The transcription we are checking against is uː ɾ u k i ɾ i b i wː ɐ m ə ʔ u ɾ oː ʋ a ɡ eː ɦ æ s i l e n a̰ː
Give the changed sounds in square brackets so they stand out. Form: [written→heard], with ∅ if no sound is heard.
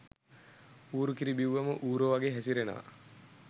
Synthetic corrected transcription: uː ɾ u k i ɾ i b i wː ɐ m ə ʔ [u→uː] ɾ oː ʋ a ɡ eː ɦ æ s i [l→ɾ] e n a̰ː